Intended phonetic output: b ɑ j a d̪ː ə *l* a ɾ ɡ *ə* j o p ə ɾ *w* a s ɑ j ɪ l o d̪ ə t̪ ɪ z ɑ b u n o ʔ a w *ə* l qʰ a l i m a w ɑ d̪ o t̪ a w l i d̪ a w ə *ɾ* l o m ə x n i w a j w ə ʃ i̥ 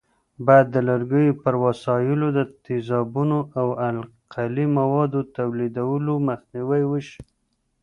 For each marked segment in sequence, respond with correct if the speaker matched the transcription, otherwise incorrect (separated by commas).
correct, correct, correct, incorrect, incorrect